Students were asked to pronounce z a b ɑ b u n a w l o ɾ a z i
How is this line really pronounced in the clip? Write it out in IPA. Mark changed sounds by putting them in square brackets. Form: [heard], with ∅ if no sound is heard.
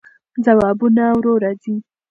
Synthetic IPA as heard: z a [w] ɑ b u n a w [ɾ] o ɾ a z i